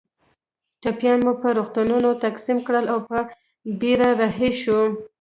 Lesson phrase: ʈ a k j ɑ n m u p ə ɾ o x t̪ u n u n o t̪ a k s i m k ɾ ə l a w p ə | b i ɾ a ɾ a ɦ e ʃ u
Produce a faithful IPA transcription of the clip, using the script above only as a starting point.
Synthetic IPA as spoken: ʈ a p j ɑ n m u p ə ɾ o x t̪ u n u n o t̪ a k s i m k ɽ ə l a w p ə | b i ɾ a ɾ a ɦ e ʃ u